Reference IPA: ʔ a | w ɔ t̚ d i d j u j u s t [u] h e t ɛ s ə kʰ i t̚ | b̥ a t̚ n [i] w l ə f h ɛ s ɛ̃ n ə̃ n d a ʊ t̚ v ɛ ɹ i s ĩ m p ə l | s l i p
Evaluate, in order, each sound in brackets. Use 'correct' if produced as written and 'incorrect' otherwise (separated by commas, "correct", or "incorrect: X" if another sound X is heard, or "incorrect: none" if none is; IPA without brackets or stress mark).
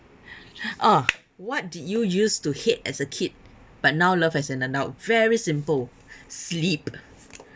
correct, incorrect: a